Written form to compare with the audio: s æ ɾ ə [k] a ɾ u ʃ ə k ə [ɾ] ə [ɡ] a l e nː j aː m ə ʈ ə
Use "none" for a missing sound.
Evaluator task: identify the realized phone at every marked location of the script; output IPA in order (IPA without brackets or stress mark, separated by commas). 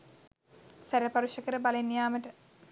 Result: p, ɾ, b